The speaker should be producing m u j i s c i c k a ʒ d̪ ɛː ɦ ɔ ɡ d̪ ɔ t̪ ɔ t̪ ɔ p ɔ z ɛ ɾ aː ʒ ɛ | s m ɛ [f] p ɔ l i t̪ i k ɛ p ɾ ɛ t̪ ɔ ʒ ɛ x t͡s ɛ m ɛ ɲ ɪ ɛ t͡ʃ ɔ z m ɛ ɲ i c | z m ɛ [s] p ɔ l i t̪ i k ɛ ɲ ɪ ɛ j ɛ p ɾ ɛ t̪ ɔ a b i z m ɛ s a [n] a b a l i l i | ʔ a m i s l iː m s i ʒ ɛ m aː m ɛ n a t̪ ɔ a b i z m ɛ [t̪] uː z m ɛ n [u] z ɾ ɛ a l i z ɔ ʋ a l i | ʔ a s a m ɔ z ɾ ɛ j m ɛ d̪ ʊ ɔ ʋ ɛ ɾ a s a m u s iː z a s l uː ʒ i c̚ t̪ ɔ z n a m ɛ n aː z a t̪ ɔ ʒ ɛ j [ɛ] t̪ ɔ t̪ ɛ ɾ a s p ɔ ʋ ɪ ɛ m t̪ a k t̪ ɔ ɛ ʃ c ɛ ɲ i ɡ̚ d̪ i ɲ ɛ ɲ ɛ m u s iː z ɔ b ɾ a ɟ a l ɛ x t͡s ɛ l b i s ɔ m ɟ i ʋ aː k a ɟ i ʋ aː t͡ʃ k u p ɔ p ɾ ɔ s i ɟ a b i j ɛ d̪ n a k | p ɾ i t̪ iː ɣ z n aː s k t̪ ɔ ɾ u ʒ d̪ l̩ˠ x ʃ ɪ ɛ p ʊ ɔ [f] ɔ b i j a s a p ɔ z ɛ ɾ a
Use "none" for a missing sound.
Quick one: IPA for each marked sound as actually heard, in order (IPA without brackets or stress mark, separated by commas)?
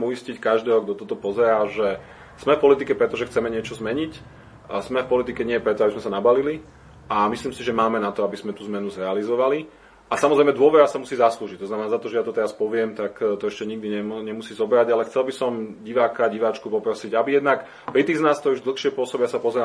f, f, n, t̪, u, a, s